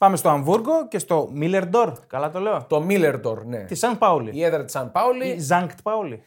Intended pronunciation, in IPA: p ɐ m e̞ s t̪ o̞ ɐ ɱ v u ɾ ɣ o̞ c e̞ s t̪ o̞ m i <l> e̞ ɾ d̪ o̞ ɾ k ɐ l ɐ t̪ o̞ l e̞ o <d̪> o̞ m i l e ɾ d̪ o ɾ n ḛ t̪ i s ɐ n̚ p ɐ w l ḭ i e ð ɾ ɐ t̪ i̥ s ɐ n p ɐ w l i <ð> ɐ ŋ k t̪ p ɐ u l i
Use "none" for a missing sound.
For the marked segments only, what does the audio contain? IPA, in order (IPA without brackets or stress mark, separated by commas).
l, t̪, z